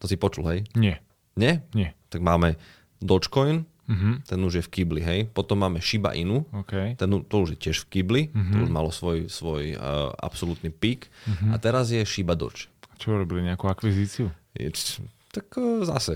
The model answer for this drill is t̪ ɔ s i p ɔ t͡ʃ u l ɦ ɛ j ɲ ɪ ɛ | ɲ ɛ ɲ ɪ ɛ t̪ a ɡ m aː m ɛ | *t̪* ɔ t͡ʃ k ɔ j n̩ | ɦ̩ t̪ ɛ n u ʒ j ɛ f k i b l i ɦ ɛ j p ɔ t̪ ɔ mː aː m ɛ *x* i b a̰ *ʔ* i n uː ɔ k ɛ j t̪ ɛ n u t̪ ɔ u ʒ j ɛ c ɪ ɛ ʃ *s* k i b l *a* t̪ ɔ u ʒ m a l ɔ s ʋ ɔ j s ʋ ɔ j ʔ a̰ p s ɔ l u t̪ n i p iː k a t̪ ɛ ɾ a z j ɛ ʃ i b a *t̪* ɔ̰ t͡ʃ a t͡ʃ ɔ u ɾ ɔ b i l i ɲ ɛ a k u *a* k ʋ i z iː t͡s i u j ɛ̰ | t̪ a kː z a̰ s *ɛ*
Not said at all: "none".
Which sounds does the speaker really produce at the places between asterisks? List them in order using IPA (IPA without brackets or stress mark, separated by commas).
d̪, ʃ, ʔ, f, i, d̪, a, ɛ